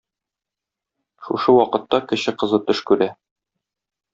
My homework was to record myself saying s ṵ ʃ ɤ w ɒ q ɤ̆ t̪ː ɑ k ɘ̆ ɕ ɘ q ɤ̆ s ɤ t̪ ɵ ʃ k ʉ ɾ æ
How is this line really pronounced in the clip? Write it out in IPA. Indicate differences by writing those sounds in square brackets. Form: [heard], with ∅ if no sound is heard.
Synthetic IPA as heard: [ʃ] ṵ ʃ ɤ w ɒ q ɤ̆ t̪ː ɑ k ɘ̆ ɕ ɘ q ɤ̆ [z] ɤ t̪ ɵ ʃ k ʉ ɾ æ

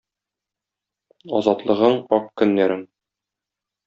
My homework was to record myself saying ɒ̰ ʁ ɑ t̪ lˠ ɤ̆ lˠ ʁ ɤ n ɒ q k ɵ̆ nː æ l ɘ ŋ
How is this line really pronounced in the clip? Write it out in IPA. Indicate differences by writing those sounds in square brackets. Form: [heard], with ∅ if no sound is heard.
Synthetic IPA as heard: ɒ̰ [z] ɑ t̪ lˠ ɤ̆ [∅] ʁ ɤ [ɴ] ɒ q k ɵ̆ nː æ [ɾ] ɘ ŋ

